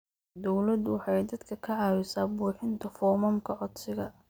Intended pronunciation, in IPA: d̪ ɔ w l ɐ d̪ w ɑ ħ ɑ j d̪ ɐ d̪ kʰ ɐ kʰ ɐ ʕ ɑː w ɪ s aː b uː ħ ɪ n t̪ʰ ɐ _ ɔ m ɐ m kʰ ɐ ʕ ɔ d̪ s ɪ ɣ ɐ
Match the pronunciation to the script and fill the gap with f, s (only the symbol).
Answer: f